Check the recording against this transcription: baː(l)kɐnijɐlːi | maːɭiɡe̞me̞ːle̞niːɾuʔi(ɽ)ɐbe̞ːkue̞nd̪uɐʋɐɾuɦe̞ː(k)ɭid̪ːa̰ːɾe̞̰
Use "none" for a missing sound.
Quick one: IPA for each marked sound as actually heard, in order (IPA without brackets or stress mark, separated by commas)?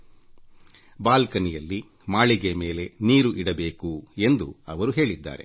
l, ɽ, none